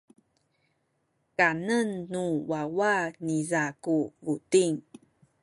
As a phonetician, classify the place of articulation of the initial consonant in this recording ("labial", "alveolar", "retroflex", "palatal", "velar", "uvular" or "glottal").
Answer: velar